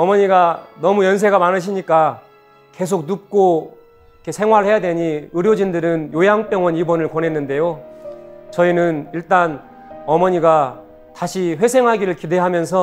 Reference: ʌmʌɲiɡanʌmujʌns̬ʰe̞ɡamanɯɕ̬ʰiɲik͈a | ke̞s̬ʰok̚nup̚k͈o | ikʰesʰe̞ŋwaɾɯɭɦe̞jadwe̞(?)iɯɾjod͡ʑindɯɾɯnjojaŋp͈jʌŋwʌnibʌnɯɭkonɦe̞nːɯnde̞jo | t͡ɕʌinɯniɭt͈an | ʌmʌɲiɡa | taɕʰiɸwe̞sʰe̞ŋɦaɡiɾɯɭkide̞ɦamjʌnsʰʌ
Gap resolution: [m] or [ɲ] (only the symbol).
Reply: ɲ